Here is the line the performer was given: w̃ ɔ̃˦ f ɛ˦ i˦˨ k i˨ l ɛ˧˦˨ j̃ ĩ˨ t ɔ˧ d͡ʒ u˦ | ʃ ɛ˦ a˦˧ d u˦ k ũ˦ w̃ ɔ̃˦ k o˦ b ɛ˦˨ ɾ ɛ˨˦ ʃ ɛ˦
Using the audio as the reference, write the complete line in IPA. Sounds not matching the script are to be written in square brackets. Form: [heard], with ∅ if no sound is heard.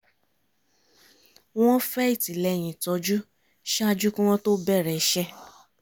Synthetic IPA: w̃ ɔ̃˦ f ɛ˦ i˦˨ [t] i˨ l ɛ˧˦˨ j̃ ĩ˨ t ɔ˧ d͡ʒ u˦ | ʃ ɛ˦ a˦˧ [d͡ʒ] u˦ k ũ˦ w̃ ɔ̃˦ [t] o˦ b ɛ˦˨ ɾ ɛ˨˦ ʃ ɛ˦